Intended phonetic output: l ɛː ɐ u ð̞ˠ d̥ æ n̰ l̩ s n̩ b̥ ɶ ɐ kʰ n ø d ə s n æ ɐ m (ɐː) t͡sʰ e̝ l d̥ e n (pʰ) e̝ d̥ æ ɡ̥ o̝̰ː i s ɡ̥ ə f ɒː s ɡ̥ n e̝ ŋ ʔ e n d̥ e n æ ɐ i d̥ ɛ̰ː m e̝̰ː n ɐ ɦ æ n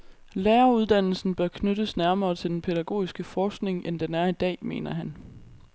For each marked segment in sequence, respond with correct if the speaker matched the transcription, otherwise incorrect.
correct, correct

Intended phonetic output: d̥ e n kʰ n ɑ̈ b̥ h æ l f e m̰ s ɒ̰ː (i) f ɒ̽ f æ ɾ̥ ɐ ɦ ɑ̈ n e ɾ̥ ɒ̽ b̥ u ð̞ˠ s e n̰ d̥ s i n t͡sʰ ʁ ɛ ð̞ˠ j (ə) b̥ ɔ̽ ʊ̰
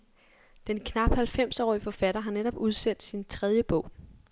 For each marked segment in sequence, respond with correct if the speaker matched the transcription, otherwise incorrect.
correct, correct

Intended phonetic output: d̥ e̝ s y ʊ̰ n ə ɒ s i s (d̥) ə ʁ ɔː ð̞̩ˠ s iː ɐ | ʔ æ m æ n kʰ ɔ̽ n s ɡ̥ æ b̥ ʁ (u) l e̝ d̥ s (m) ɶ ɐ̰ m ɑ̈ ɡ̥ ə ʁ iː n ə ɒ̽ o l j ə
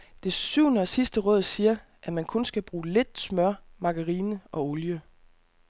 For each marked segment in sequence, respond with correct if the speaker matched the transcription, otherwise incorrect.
correct, incorrect, correct

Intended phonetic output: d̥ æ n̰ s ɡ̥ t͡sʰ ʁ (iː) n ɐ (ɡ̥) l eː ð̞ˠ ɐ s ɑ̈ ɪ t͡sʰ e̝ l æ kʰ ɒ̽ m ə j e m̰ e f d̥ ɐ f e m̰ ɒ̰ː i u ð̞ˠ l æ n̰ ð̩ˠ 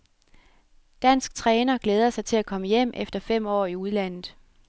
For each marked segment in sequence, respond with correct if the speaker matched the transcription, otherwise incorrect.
incorrect, correct

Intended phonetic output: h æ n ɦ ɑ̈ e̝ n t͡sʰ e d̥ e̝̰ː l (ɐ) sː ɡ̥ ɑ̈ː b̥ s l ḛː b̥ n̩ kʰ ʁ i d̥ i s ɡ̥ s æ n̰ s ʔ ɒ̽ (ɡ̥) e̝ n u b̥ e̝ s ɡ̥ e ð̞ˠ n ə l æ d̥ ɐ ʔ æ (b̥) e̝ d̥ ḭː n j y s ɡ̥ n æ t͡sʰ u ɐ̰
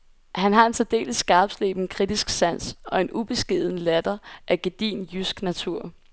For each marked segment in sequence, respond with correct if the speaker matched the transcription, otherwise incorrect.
incorrect, incorrect, incorrect

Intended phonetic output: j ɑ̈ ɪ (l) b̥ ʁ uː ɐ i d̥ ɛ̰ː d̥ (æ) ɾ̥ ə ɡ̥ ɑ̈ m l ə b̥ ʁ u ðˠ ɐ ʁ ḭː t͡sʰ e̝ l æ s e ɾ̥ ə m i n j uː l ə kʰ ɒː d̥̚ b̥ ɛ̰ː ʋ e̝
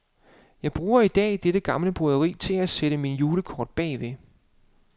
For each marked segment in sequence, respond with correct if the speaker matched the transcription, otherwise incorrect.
incorrect, incorrect

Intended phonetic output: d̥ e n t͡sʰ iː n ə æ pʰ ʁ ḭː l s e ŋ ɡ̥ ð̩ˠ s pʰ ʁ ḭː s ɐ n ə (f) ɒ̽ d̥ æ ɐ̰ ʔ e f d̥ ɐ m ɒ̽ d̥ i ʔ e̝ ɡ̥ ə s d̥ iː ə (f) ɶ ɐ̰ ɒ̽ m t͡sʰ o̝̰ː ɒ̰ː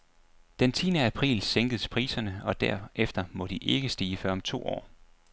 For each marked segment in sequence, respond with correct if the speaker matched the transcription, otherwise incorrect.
incorrect, correct

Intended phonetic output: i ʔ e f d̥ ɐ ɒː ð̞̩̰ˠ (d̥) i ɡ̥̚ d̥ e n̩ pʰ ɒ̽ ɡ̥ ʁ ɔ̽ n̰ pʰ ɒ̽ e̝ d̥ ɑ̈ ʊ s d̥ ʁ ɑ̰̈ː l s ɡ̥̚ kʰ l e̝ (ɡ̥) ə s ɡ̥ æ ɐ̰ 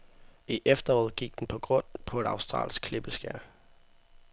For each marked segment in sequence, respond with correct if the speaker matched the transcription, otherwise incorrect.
incorrect, incorrect

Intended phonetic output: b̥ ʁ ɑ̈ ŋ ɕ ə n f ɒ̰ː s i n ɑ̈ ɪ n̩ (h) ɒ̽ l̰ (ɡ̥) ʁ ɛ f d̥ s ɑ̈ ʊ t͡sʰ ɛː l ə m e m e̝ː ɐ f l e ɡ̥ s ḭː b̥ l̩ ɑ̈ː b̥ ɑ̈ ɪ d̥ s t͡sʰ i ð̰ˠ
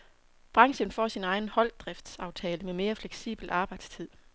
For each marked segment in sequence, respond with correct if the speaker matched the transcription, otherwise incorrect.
correct, incorrect

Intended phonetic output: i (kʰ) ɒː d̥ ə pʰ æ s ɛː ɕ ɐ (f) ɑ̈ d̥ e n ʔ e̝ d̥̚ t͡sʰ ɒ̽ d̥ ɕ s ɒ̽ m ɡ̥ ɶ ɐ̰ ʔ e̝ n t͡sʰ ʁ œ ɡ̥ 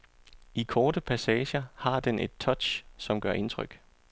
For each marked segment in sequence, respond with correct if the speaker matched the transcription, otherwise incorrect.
correct, incorrect

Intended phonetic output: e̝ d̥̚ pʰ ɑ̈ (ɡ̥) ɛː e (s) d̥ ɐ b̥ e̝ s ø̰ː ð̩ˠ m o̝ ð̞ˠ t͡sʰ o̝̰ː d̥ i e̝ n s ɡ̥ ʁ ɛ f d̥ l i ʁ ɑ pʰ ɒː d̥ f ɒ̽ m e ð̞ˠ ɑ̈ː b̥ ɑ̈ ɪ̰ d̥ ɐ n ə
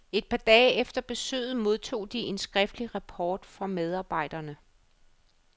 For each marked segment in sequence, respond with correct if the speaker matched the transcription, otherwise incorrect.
incorrect, incorrect

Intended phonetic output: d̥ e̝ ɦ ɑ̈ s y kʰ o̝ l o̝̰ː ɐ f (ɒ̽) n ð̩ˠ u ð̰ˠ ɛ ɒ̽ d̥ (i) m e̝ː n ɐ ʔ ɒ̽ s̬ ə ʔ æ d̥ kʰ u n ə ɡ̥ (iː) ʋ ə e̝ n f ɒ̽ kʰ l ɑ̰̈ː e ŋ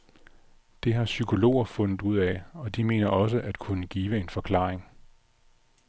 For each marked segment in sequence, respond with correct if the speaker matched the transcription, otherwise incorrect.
incorrect, correct, correct

